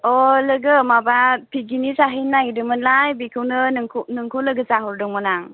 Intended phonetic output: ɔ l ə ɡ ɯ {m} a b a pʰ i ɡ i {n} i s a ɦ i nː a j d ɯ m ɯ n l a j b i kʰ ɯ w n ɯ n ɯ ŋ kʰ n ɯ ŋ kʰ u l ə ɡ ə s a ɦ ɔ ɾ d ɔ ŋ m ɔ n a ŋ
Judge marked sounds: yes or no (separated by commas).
yes, yes